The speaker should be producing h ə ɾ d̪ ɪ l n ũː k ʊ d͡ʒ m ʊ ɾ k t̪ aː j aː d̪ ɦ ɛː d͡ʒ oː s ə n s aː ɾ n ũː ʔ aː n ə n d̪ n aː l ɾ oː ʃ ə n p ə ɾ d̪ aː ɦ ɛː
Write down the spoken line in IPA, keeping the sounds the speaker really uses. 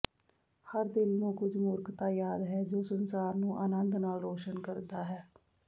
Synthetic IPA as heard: h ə ɾ d̪ ɪ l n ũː k ʊ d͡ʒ m ʊ ɾ k t̪ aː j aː d̪ ɦ ɛː d͡ʒ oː s ə n s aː ɾ n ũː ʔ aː n ə n d̪ n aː l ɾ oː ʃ ə n k ə ɾ d̪ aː ɦ ɛː